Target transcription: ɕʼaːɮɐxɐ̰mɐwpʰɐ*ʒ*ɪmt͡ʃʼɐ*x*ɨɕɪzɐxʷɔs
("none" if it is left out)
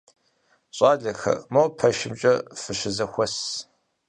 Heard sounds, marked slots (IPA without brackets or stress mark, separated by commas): ʃ, f